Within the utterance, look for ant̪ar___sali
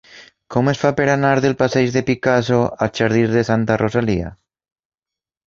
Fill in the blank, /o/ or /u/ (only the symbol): o